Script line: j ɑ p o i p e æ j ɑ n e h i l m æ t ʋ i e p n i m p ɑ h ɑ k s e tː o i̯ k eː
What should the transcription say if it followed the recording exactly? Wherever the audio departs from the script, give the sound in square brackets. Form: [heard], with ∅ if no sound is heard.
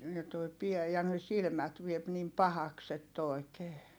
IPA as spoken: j ɑ [t] o i p [i] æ j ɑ n e [s] i l m æ t ʋ i e p n i m p ɑ h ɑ k s e tː o i̯ k eː